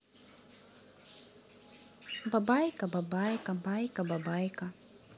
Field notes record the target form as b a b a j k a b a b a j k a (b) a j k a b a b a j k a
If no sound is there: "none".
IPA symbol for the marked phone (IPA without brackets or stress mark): b